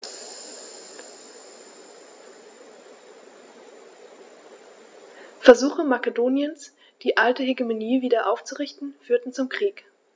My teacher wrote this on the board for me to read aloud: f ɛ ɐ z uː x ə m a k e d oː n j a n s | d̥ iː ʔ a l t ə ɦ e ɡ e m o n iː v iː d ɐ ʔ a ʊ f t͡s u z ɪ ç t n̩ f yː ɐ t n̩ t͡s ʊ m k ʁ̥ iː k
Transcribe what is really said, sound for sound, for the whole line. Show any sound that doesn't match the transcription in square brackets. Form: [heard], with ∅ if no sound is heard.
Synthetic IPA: f ɛ ɐ z uː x ə m a k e d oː n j [ə] n s | d̥ iː ʔ a l t ə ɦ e ɡ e m o n iː v iː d ɐ ʔ a ʊ f t͡s u [ʁ] ɪ ç t n̩ f yː ɐ t n̩ t͡s ʊ m k ʁ̥ iː k

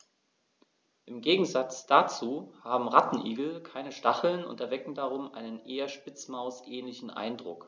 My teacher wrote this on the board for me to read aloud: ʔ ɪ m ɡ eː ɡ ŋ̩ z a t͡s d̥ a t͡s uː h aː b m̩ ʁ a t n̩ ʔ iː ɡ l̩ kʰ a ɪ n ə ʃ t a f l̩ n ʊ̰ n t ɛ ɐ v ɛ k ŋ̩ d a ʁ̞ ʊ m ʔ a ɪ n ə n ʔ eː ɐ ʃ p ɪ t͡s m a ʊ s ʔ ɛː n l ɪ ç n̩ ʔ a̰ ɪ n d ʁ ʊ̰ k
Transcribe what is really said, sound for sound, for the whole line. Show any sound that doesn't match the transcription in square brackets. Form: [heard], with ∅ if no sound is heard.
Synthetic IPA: ʔ ɪ m ɡ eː ɡ ŋ̩ z a t͡s d̥ a t͡s uː h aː b m̩ ʁ a t n̩ ʔ iː ɡ l̩ kʰ a ɪ n ə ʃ t a [χ] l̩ n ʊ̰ n t ɛ ɐ v ɛ k ŋ̩ d a ʁ̞ ʊ m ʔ a ɪ n ə n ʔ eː ɐ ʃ p ɪ t͡s m a ʊ s ʔ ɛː n l ɪ ç n̩ ʔ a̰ ɪ n d ʁ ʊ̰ k

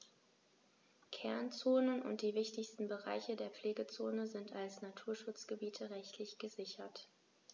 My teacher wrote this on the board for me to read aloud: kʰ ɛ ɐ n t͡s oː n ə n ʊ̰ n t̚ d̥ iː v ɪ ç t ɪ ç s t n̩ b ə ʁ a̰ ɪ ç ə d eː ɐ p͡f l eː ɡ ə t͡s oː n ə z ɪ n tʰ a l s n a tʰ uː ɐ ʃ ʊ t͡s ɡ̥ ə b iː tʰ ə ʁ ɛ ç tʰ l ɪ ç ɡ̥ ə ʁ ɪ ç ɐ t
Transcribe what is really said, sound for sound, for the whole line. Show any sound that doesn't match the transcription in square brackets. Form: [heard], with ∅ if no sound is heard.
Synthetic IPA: kʰ ɛ ɐ n t͡s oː n ə n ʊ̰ n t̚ d̥ iː v ɪ ç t ɪ ç s t n̩ b ə ʁ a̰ ɪ ç ə d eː ɐ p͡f l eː ɡ ə t͡s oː n ə z ɪ n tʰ a l s n a tʰ uː ɐ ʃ ʊ t͡s ɡ̥ ə b iː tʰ ə ʁ ɛ ç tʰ l ɪ ç ɡ̥ ə [z] ɪ ç ɐ t

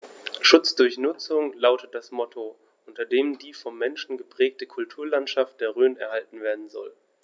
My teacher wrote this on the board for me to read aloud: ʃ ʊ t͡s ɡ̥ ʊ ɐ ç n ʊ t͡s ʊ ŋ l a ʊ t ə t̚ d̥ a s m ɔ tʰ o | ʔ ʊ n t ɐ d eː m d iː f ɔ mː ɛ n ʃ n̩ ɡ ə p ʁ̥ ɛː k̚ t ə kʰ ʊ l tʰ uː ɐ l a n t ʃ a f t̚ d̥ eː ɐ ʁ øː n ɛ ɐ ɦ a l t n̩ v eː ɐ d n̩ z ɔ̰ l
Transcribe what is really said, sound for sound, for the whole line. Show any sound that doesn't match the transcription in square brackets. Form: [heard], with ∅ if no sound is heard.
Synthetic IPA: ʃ ʊ t͡s [d̥] ʊ ɐ ç n ʊ t͡s ʊ ŋ l a ʊ t ə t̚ d̥ a s m ɔ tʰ o | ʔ ʊ n t ɐ d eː m d iː f ɔ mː ɛ n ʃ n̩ ɡ ə p ʁ̥ ɛː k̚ t ə kʰ ʊ l tʰ uː ɐ l a n t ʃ a f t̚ d̥ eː ɐ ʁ øː n ɛ ɐ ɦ a l t n̩ v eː ɐ d n̩ z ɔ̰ l

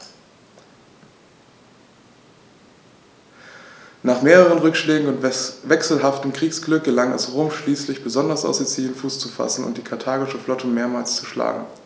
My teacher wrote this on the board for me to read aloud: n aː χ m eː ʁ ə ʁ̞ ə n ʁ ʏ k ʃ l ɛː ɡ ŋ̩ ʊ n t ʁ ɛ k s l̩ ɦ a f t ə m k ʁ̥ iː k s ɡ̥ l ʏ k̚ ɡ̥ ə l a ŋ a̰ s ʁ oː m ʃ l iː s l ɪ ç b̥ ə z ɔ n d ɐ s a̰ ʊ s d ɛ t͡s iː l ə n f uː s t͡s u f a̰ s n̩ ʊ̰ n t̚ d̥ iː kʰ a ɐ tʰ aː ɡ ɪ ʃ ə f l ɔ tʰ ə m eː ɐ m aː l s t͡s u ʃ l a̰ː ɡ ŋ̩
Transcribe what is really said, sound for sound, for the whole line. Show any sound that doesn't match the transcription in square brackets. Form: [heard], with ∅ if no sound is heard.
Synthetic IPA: n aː χ m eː ʁ ə ʁ̞ ə n ʁ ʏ k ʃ l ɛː ɡ ŋ̩ ʊ n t [v] ɛ k s l̩ ɦ a f t ə m k ʁ̥ iː k s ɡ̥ l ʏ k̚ ɡ̥ ə l a ŋ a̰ s ʁ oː m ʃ l iː s l ɪ ç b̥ ə z ɔ n d ɐ s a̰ ʊ s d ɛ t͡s iː l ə n f uː s t͡s u f a̰ s n̩ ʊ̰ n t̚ d̥ iː kʰ a ɐ tʰ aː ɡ ɪ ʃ ə f l ɔ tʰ ə m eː ɐ m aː l s t͡s u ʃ l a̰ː ɡ ŋ̩

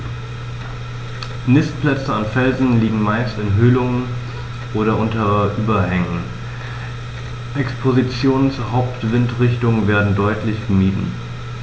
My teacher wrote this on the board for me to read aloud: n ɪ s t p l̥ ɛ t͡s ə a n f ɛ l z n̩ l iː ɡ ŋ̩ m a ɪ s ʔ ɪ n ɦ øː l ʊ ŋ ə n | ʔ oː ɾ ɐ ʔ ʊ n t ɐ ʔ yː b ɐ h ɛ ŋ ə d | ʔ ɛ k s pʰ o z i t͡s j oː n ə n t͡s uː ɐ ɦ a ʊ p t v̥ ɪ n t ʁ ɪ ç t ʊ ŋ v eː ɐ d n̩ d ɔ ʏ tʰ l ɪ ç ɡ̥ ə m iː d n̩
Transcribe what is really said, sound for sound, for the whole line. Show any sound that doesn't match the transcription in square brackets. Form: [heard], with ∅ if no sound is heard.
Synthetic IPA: n ɪ s t p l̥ ɛ t͡s ə a n f ɛ l z n̩ l iː ɡ ŋ̩ m a ɪ s [t] ɪ n ɦ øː l ʊ ŋ ə n | ʔ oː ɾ ɐ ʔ ʊ n t ɐ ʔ yː b ɐ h ɛ ŋ ə [n] | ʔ ɛ k s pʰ o z i t͡s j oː n ə n t͡s uː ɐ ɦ a ʊ p t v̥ ɪ n t ʁ ɪ ç t ʊ ŋ v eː ɐ d n̩ d ɔ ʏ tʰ l ɪ ç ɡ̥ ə m iː d n̩

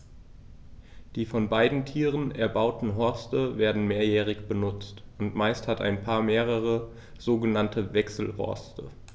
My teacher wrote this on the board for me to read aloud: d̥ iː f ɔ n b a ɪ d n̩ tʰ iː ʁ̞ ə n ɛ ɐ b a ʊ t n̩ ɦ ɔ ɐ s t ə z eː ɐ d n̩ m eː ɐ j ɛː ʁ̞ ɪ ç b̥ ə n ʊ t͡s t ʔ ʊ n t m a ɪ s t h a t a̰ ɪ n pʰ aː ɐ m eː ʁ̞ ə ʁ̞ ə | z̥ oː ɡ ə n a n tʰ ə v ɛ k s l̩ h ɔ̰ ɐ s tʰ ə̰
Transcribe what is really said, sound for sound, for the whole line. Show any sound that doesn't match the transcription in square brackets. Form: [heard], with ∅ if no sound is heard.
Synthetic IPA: d̥ iː f ɔ n b a ɪ d n̩ tʰ iː ʁ̞ ə n ɛ ɐ b a ʊ t n̩ ɦ ɔ ɐ s t ə [v] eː ɐ d n̩ m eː ɐ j ɛː ʁ̞ ɪ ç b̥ ə n ʊ t͡s t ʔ ʊ n t m a ɪ s t h a t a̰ ɪ n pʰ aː ɐ m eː ʁ̞ ə ʁ̞ ə | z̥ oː ɡ ə n a n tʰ ə v ɛ k s l̩ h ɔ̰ ɐ s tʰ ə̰

